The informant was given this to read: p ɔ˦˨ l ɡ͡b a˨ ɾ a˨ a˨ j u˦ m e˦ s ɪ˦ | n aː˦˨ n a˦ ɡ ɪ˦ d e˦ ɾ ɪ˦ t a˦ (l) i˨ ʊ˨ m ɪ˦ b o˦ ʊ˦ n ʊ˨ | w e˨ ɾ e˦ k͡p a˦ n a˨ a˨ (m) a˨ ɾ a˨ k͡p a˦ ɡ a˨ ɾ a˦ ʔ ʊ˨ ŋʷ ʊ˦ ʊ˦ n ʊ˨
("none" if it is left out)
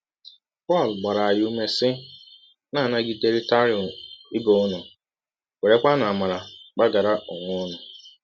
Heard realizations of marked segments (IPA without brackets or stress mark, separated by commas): ɾ, m